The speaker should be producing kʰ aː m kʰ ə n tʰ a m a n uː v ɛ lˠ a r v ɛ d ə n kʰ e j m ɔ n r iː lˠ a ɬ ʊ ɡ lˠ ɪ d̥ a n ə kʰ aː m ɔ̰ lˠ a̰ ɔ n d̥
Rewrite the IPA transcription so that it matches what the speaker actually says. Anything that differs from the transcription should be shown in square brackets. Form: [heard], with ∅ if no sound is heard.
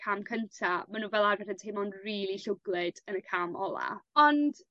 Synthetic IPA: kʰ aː m kʰ ə n tʰ a m a n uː v ɛ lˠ a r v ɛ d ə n [tʰ] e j m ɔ n r iː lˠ [i] ɬ ʊ ɡ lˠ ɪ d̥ [ə] n ə kʰ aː m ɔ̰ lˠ a̰ ɔ n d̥